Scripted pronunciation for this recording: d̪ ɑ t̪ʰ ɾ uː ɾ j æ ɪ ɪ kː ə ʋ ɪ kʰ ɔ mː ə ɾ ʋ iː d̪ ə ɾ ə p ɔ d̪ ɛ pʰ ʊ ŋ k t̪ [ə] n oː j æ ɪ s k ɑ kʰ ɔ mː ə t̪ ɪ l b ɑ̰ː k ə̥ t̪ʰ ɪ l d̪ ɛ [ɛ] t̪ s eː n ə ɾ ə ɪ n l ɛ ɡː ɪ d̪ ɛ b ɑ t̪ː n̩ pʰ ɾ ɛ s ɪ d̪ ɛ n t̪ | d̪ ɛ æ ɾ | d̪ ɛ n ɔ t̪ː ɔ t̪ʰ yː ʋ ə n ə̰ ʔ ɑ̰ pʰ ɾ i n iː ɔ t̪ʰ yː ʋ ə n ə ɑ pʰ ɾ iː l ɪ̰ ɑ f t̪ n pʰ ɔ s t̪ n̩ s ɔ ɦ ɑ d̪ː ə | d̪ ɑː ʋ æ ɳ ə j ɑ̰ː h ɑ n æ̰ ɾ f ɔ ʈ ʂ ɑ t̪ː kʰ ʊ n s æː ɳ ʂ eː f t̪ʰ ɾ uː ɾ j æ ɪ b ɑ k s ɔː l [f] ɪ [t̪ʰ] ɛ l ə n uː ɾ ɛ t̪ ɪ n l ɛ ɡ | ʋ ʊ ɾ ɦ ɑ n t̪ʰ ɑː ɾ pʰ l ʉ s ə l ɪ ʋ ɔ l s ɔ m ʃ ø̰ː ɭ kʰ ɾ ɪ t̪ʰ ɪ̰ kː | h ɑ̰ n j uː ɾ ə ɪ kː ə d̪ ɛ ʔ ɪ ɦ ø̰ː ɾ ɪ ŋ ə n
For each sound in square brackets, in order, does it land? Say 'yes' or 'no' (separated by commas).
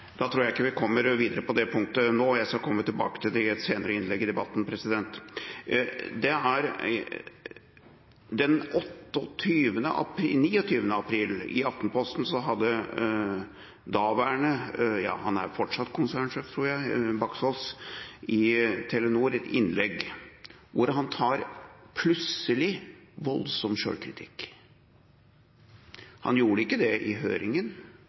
yes, yes, no, yes